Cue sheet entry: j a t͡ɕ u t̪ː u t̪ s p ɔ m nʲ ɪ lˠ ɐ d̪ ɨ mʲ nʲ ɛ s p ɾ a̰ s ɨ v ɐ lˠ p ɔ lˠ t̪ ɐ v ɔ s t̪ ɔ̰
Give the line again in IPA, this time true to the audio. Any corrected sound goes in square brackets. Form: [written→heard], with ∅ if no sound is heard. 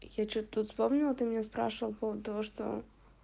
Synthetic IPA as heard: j a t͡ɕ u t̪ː u t̪ s p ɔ m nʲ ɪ lˠ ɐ [d̪→t̪] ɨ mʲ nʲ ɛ s p ɾ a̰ [s→ʂ] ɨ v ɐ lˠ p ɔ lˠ t̪ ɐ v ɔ [s→ʂ] t̪ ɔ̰